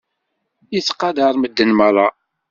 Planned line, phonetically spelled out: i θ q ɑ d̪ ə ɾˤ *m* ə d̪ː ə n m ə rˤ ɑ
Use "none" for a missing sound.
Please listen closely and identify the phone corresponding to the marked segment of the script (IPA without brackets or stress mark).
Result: m